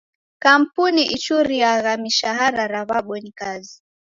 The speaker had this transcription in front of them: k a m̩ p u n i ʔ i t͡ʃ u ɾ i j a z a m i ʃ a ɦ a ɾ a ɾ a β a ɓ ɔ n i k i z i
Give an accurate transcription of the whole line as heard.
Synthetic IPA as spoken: k a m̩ p u n i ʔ i t͡ʃ u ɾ i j a ɣ a m i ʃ a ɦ a ɾ a ɾ a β a ɓ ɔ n i k a z i